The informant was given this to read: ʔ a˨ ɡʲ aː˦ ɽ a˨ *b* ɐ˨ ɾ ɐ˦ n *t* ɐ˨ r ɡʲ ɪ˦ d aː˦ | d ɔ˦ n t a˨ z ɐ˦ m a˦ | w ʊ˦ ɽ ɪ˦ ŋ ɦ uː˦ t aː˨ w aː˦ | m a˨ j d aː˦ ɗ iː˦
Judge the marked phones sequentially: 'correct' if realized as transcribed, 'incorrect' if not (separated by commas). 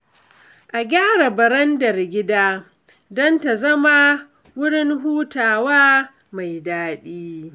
correct, incorrect